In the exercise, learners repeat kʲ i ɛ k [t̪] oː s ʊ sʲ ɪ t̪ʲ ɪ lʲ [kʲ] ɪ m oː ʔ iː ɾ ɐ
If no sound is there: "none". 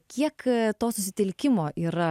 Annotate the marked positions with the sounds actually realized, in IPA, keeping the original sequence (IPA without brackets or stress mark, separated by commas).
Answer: t̪, kʲ